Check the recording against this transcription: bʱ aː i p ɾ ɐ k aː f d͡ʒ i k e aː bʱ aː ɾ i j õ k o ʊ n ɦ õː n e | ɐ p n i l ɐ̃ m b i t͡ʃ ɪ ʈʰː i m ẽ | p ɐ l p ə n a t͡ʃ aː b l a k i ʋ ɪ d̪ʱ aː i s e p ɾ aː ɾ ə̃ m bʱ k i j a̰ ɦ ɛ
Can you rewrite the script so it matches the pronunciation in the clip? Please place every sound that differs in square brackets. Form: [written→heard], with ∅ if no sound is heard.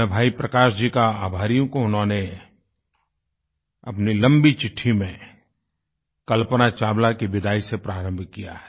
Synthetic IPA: bʱ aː i p ɾ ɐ k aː [f→ʃ] d͡ʒ i k [e→a] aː bʱ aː ɾ i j õ k o ʊ n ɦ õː n e | ɐ p n i l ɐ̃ m b i t͡ʃ ɪ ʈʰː i m ẽ | [p→k] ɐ l p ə n a t͡ʃ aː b l a k i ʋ ɪ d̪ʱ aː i s e p ɾ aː ɾ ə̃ m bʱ k i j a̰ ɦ ɛ